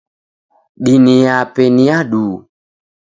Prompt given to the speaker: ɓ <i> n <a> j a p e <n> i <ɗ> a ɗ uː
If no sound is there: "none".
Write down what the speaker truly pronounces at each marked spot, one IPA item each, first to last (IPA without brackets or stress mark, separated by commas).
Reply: i, i, n, none